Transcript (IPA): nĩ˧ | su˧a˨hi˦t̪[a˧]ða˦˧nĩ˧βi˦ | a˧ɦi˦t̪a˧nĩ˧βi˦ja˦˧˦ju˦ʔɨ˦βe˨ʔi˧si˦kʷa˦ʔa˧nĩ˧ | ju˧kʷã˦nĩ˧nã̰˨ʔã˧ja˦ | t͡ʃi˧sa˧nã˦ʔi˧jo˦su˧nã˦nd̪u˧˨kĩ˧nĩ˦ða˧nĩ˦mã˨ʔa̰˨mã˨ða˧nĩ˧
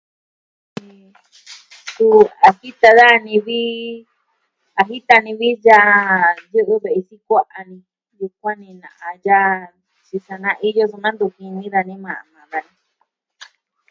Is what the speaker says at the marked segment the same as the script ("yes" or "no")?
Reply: yes